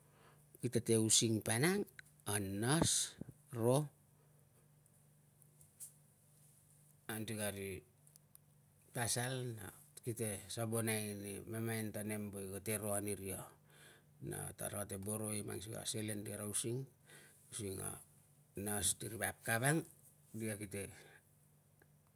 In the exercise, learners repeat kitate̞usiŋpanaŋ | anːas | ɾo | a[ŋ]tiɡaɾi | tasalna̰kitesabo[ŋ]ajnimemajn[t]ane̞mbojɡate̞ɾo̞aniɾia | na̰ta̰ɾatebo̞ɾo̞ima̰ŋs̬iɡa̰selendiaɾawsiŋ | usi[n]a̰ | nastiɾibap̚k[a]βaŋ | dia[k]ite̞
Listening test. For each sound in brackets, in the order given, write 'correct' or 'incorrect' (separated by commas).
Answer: incorrect, incorrect, correct, incorrect, correct, correct